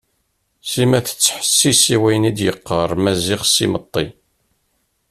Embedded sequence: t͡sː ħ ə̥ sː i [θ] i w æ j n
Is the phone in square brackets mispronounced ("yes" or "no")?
yes